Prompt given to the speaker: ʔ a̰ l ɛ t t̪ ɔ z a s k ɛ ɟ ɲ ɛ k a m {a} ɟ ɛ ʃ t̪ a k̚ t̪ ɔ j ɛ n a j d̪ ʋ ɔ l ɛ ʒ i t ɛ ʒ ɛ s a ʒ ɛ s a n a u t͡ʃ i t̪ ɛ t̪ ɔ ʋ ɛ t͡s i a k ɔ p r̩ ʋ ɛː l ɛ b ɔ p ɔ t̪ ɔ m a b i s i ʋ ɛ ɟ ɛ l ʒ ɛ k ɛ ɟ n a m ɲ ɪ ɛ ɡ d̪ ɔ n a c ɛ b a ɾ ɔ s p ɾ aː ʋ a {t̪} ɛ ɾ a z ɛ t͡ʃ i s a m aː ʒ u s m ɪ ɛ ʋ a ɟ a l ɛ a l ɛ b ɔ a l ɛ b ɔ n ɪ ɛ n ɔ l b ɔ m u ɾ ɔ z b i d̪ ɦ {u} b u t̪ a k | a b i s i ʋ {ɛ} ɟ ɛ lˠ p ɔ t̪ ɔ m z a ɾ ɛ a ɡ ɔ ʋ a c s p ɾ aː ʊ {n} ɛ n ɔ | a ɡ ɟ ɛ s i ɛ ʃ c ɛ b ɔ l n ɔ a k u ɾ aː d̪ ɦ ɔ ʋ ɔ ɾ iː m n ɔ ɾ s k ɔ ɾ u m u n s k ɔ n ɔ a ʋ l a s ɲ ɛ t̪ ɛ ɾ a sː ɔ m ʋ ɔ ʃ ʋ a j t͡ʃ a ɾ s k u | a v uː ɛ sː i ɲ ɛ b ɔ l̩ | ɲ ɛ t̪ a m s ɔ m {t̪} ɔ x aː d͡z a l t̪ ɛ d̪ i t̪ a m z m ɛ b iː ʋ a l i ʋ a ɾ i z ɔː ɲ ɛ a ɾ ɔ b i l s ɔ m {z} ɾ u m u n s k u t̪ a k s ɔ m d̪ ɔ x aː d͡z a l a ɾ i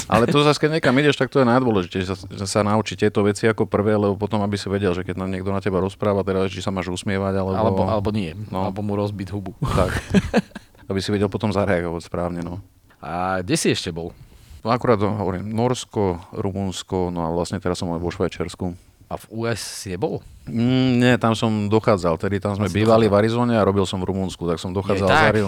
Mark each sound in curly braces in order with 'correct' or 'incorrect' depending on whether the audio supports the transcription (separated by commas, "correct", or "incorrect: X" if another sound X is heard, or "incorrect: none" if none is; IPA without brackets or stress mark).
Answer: incorrect: i, correct, correct, correct, incorrect: ɲ, incorrect: d̪, incorrect: v